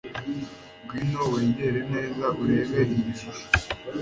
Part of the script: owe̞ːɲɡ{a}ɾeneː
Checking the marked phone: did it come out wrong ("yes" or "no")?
yes